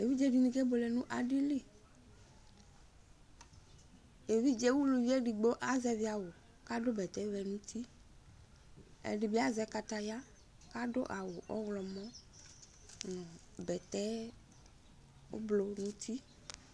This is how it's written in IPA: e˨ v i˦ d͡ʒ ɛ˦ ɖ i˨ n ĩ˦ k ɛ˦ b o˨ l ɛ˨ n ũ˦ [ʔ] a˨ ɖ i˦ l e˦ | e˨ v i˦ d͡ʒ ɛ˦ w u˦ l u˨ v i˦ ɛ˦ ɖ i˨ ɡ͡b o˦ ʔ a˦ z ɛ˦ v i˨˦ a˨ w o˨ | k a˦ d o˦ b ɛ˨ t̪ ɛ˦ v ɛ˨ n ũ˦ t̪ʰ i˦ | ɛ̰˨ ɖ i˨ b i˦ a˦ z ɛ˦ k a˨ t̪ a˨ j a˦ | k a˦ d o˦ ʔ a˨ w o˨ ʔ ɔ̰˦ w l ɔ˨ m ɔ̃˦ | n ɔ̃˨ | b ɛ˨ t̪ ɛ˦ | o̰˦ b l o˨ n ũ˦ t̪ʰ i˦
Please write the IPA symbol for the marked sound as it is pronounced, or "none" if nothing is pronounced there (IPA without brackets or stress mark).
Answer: ʔ